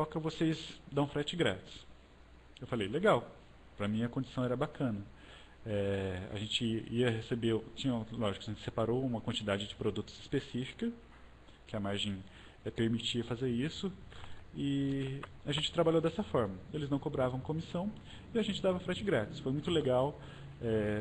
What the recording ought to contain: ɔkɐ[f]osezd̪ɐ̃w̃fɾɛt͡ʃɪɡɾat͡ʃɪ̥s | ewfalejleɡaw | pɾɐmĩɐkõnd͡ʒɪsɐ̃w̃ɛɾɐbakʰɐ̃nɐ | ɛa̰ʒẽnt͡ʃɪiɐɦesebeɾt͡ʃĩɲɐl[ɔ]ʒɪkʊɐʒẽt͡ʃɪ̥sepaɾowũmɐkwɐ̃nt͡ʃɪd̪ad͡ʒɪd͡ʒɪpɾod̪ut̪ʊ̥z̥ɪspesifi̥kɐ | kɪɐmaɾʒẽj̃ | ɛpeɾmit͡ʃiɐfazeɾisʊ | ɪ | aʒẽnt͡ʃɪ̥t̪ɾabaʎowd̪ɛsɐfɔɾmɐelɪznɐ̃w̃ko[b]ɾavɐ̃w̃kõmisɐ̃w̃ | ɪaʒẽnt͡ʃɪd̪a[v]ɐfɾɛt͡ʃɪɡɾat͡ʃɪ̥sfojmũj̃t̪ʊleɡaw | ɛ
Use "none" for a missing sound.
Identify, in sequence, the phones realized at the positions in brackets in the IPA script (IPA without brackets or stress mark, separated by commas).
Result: v, ɔ, b, v